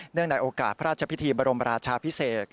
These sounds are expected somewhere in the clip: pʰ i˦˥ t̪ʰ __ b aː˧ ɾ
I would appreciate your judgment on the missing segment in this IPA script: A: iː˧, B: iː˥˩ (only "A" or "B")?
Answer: A